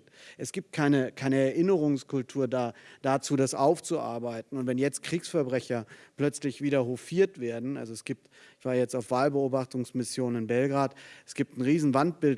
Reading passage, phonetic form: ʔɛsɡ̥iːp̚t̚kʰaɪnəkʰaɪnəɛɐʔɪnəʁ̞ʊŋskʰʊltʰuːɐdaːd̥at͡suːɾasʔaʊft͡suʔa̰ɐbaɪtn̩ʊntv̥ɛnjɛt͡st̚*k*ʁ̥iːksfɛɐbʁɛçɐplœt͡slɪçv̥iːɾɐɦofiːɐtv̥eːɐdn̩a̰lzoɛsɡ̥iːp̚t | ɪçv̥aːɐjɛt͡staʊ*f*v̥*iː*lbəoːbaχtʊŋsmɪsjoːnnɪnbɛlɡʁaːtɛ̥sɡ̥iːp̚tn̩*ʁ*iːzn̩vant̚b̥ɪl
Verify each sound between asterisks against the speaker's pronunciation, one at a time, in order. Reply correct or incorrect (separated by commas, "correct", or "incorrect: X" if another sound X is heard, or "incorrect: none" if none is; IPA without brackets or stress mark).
correct, correct, incorrect: aː, correct